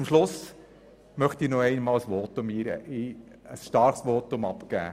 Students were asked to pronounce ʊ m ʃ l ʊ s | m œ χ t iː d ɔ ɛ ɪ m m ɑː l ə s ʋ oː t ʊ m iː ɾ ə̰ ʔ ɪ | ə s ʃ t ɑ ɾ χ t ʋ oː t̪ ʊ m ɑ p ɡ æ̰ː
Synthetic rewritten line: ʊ m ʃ l ʊ s | m œ χ t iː n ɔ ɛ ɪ n m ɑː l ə s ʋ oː t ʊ m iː ɾ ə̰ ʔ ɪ | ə s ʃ t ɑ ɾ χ s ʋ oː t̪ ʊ m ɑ p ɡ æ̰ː